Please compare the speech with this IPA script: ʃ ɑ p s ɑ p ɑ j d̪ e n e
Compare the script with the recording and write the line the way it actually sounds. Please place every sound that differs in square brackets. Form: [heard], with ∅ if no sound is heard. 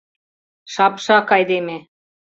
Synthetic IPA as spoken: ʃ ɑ p [ʃ] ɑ [k] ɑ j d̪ e [m] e